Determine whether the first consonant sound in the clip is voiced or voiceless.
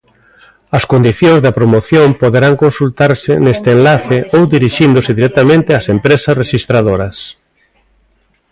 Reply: voiceless